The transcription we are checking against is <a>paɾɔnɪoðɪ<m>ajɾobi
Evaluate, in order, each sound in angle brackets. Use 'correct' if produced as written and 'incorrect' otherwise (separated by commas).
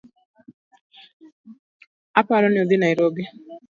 correct, incorrect